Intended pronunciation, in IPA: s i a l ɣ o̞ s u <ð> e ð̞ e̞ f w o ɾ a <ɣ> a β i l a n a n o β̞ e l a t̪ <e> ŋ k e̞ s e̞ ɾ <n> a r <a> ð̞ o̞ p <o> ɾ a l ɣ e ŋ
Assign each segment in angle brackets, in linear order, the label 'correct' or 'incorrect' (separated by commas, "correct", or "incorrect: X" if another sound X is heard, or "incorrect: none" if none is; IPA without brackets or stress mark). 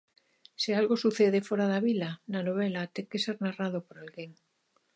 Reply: incorrect: θ, incorrect: ð, correct, correct, correct, correct